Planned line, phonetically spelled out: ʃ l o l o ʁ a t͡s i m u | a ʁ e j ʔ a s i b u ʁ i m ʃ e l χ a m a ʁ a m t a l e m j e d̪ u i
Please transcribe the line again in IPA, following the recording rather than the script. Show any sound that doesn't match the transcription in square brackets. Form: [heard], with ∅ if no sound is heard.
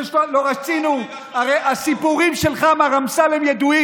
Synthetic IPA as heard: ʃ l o l o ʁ a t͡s i [n] u | a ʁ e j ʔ a s i [p] u ʁ i m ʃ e l χ a m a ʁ a m [s] a l e m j e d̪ u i